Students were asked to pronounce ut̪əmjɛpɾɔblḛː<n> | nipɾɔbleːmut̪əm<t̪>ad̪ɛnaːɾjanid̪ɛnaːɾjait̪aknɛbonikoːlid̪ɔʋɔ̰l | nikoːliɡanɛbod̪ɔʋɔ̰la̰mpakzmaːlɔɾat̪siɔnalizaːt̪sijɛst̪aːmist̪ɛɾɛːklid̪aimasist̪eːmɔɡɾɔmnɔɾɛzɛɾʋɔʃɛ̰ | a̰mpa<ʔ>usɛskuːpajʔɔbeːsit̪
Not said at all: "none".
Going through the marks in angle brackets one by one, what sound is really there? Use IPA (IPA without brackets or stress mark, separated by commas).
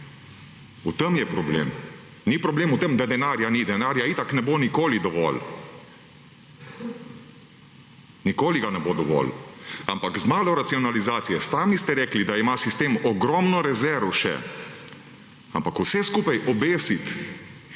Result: m, d̪, k